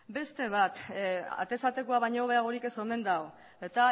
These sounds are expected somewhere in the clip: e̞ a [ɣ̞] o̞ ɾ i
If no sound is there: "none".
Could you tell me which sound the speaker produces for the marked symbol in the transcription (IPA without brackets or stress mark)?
ɣ̞